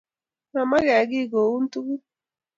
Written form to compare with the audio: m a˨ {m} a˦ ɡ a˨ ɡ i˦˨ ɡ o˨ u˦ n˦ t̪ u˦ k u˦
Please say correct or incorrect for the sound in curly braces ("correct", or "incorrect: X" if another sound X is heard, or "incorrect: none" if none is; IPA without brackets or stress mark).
correct